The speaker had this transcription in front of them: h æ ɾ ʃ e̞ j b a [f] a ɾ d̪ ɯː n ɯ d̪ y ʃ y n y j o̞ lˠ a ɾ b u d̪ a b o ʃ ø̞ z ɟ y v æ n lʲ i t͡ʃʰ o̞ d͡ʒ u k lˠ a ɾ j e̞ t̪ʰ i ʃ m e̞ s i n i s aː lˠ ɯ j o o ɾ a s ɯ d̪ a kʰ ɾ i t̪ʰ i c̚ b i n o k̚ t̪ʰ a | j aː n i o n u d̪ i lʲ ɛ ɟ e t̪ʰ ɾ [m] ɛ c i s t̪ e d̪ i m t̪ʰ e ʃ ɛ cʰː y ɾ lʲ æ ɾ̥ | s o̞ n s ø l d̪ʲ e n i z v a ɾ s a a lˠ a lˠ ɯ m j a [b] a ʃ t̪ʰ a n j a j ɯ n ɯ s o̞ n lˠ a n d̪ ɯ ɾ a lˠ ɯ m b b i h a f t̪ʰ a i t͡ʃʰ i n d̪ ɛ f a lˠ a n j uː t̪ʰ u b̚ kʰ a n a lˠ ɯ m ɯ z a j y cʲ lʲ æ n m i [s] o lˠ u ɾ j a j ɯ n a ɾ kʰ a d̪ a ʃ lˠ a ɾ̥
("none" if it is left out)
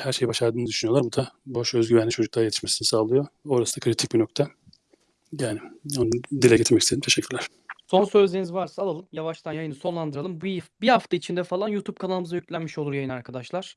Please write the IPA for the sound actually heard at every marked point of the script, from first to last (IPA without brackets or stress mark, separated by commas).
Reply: ʃ, m, v, ʃ